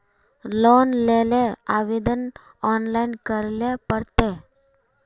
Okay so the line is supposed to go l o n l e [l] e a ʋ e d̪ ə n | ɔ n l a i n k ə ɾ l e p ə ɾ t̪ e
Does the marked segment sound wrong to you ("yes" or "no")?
no